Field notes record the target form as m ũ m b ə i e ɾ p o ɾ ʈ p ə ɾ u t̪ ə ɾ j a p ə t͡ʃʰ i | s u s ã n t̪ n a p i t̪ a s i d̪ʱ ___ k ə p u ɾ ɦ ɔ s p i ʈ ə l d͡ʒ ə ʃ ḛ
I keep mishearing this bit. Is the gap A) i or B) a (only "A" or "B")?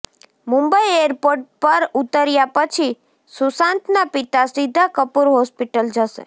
B